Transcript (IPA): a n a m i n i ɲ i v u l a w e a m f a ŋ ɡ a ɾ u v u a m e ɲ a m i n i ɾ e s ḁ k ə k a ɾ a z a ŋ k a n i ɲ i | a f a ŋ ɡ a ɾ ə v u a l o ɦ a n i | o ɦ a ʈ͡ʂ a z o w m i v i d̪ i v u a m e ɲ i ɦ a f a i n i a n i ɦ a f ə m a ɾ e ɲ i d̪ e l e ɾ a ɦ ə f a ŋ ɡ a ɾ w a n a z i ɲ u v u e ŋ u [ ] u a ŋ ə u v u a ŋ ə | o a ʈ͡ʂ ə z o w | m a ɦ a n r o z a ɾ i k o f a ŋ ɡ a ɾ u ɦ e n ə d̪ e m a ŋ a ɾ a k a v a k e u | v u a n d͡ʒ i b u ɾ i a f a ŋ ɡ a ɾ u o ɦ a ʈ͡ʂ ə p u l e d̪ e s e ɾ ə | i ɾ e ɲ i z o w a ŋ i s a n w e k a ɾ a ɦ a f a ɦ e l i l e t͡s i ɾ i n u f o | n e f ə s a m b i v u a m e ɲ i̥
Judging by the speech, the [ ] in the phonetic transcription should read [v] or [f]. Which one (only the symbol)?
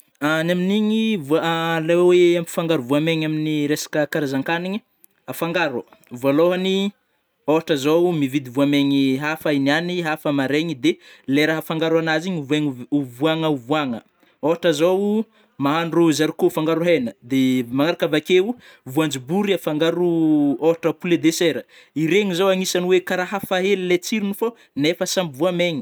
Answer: v